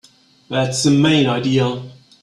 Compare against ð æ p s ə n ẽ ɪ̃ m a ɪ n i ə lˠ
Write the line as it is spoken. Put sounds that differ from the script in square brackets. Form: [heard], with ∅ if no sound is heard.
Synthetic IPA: ð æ [t] s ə [m] ẽ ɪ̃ [n] a ɪ [d] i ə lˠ